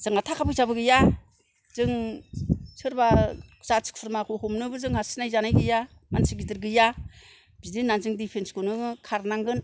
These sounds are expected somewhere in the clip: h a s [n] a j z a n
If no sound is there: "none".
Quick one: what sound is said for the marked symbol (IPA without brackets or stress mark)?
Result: n